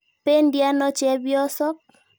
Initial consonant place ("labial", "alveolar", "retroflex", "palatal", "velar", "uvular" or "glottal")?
labial